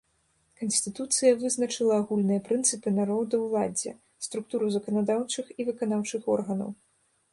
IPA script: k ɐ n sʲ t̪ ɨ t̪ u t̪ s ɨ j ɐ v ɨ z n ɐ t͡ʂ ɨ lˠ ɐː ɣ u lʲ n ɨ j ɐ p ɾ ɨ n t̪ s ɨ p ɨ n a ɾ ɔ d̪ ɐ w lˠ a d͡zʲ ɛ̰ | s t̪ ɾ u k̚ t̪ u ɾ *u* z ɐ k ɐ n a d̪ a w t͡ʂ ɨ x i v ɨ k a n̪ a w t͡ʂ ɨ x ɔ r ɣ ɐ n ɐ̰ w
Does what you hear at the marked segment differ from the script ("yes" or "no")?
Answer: no